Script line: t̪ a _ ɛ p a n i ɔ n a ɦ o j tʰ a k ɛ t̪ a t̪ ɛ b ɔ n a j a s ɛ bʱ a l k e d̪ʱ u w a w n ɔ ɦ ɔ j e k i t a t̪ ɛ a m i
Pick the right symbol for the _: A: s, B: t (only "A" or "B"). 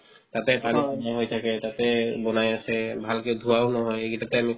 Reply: B